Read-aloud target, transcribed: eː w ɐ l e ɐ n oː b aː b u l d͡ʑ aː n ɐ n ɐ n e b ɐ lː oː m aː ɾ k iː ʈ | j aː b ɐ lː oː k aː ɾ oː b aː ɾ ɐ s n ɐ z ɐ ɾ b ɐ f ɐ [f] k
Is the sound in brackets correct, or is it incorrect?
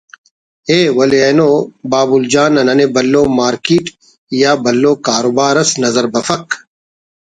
incorrect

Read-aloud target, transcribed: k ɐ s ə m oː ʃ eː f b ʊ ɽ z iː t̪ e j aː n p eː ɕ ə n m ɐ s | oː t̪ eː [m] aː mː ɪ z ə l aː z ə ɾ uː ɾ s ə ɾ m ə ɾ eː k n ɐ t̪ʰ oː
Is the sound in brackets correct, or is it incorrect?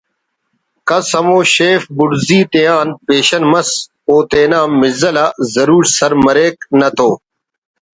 incorrect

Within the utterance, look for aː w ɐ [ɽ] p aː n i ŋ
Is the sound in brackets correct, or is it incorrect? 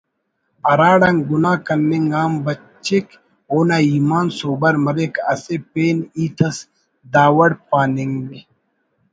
correct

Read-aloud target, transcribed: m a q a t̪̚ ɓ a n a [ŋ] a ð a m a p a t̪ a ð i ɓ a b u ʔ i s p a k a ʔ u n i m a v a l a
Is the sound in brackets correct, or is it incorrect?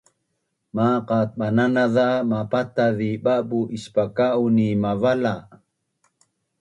incorrect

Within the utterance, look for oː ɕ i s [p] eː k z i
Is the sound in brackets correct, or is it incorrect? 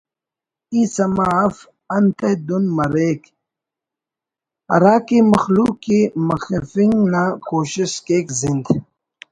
incorrect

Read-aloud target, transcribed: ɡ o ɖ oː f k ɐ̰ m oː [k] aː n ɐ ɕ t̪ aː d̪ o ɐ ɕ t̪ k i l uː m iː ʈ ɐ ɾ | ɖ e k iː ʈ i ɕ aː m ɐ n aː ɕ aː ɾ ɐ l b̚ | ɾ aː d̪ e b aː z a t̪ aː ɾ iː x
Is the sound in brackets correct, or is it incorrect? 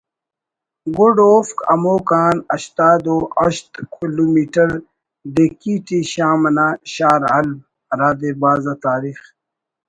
correct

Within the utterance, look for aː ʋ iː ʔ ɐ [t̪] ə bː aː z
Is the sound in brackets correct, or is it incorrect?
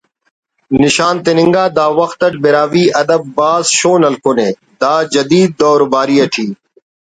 incorrect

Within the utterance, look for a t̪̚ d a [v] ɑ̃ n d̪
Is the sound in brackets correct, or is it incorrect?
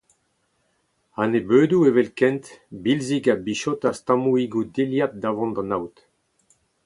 correct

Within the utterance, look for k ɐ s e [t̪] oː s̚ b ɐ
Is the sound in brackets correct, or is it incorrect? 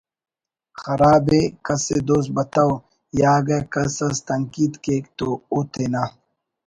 incorrect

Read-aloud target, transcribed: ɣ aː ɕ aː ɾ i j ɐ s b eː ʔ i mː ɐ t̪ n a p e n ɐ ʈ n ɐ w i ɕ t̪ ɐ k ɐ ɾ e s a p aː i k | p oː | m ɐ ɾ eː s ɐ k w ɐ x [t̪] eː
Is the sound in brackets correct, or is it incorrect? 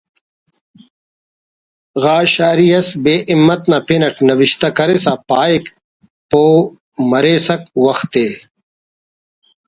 correct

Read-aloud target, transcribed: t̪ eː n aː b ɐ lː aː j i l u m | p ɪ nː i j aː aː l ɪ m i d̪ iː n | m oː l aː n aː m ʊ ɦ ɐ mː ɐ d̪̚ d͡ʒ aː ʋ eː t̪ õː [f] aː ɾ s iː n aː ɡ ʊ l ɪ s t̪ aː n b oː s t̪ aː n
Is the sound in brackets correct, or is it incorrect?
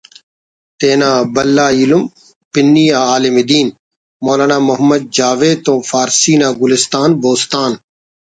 correct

